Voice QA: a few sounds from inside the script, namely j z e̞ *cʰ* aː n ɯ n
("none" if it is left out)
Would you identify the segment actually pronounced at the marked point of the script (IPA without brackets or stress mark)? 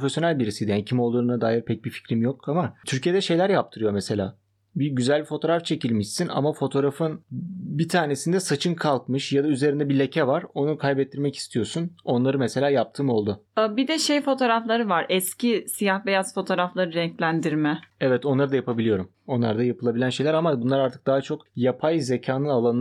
cʰ